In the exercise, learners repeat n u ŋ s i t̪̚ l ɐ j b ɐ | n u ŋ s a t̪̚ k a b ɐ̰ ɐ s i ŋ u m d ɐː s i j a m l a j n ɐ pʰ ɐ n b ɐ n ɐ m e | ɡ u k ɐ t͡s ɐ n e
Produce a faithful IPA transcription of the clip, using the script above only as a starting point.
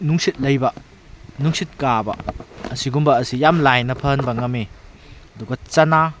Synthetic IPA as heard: n u ŋ s i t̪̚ l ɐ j b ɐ | n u ŋ s i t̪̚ k a b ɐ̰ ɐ s i ɡ u m b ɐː s i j a m l a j n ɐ pʰ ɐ n b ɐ ŋ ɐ m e | d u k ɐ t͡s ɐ n a